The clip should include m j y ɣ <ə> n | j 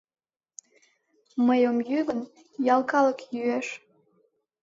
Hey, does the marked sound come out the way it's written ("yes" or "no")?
yes